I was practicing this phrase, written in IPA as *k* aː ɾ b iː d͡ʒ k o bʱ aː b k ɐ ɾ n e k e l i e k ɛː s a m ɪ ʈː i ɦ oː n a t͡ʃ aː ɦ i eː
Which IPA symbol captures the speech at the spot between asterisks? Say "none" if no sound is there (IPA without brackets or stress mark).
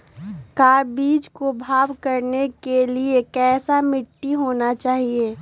k